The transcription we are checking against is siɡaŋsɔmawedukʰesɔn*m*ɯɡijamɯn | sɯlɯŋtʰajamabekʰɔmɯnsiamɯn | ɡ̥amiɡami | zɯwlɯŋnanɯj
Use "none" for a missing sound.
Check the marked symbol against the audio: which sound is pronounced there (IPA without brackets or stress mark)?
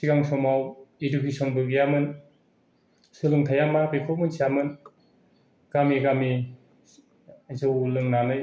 b